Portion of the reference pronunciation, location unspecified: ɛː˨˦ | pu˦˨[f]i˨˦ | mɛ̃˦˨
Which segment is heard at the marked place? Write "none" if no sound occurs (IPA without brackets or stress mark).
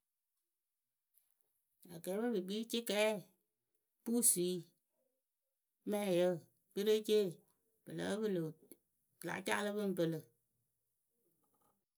s